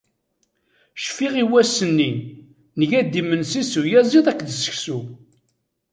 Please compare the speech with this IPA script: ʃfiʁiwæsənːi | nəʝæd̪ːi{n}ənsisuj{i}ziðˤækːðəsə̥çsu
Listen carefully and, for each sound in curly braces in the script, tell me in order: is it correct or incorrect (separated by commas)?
incorrect, incorrect